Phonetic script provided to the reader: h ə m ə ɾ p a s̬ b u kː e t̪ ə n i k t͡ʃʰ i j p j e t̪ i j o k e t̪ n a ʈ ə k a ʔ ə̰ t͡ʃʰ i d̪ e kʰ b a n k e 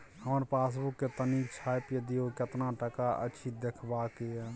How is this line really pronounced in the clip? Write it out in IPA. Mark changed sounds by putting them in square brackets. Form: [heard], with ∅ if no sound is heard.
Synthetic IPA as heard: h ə m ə ɾ p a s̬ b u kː e t̪ ə n i k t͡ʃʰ [a] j p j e [d̪] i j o k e t̪ n a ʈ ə k a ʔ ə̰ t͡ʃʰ i d̪ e kʰ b a [∅] k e